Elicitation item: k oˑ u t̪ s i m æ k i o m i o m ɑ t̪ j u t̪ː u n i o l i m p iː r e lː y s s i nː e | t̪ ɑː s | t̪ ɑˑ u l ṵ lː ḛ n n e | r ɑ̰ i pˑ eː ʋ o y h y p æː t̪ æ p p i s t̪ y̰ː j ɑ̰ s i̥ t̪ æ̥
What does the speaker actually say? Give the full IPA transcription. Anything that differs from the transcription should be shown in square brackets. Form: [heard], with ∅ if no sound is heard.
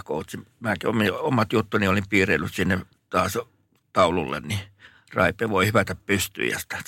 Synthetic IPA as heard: k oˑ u t̪ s i m æ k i o m i o m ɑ t̪ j u t̪ː u n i o l i m p iː r e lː y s s i nː e | t̪ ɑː s | t̪ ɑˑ u l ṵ lː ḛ n n [i] | r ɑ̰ i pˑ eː ʋ o [i] h y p [æ] t̪ æ p p [y] s t̪ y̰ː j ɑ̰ s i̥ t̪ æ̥